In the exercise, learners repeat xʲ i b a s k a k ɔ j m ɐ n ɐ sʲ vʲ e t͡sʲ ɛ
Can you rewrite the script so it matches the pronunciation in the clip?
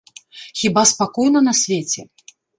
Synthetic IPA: xʲ i b a s p a k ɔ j n ɐ n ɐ sʲ vʲ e t͡sʲ ɛ